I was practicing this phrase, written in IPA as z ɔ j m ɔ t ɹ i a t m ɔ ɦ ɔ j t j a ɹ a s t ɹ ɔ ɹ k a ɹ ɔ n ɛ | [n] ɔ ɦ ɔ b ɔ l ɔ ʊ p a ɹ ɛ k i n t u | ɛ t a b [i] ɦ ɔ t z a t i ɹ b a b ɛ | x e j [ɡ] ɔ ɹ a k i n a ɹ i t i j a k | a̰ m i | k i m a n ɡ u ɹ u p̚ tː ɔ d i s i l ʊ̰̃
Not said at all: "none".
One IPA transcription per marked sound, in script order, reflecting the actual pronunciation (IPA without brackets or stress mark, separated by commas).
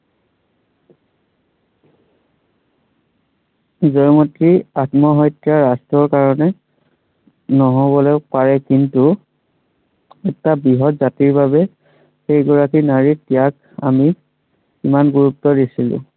n, i, ɡ